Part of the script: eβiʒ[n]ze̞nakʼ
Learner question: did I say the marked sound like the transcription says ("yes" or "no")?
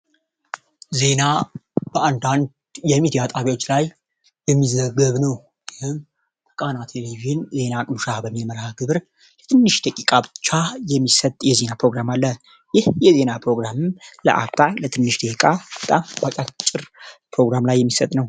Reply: yes